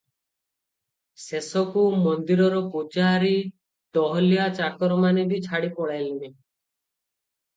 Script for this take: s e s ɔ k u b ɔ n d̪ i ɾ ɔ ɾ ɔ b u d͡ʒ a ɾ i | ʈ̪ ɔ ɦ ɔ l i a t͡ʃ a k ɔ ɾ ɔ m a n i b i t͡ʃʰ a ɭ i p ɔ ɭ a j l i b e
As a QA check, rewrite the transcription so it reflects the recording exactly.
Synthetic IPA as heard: s e s ɔ k u m ɔ n d̪ i ɾ ɔ ɾ ɔ p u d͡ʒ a ɾ i | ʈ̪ ɔ ɦ ɔ l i a t͡ʃ a k ɔ ɾ ɔ m a n e b i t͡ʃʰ a ɽ i p ɔ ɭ a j l i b e